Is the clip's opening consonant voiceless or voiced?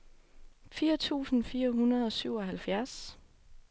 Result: voiceless